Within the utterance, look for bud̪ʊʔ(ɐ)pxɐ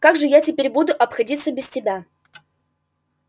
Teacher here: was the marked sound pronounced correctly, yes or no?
yes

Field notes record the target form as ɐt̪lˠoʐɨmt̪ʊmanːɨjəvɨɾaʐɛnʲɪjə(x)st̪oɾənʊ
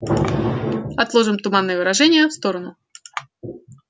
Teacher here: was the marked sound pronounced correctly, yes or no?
no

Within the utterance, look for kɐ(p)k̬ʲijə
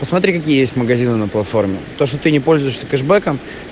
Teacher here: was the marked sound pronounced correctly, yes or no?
no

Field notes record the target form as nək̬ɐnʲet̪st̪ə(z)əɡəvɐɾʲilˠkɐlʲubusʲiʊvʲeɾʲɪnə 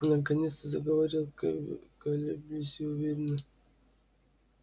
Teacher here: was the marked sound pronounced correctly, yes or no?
yes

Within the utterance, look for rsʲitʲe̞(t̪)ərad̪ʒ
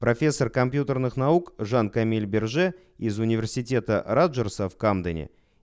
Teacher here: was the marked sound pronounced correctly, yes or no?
yes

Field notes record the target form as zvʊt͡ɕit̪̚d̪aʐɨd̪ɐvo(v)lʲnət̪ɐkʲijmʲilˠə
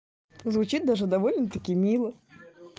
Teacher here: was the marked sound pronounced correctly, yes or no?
no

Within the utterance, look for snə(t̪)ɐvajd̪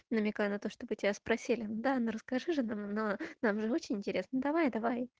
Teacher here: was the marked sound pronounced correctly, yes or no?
no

